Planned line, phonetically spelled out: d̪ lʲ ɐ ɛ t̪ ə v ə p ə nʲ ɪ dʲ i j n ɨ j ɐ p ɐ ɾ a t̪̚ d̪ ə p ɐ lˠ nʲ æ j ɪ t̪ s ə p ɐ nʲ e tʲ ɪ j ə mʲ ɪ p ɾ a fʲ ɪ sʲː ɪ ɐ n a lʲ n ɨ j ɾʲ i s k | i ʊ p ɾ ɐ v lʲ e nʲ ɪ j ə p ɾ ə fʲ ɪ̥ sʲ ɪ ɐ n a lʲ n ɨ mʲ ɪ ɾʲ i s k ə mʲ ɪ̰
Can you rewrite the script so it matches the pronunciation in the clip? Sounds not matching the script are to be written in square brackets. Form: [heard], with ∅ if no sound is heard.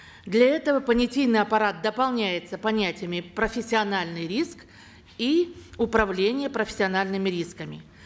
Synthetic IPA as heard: d̪ lʲ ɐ ɛ t̪ ə v ə p ə nʲ ɪ [tʲ] i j n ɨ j ɐ p ɐ ɾ a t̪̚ d̪ ə p ɐ lˠ nʲ æ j ɪ t̪ s ə p ɐ nʲ [æ] tʲ ɪ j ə mʲ ɪ p ɾ [ə] fʲ ɪ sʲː ɪ ɐ n a lʲ n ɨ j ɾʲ i s k | i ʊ p ɾ ɐ v lʲ e nʲ ɪ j ə p ɾ ə fʲ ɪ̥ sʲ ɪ ɐ n a lʲ n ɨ mʲ ɪ ɾʲ i s k ə mʲ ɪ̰